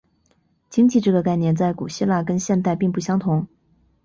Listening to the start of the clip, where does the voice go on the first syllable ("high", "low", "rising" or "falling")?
high